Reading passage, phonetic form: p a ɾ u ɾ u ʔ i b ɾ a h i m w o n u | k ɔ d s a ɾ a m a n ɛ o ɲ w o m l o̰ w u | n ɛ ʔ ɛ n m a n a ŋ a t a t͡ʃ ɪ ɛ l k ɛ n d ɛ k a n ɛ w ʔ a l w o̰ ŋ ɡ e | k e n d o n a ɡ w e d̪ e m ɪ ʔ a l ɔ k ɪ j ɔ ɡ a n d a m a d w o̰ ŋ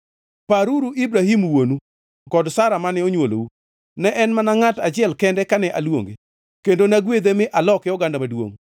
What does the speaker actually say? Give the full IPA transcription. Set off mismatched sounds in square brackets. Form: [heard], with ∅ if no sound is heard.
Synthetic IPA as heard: p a ɾ u ɾ u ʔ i b ɾ a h i m w o n u | k ɔ d s a ɾ a m a n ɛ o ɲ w o [∅] l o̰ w u | n ɛ ʔ ɛ n m a n a ŋ a t a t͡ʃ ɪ ɛ l k ɛ n d ɛ k a n ɛ [∅] ʔ a l w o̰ ŋ ɡ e | k e n d o n a ɡ w e d̪ e m ɪ ʔ a l ɔ k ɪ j ɔ ɡ a n d a m a d w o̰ ŋ